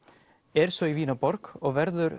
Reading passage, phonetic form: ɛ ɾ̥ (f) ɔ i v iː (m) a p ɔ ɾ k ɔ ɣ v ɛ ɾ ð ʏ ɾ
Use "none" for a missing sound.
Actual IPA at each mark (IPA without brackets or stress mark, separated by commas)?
s, n